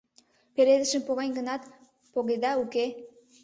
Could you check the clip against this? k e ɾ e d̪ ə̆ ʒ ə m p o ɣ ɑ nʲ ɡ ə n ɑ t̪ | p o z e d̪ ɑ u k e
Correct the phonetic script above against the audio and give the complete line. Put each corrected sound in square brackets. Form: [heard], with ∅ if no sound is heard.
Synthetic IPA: [p] e ɾ e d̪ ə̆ [ʃ] ə m p o ɣ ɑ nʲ ɡ ə n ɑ t̪ | p o [ɣ] e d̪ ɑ u k e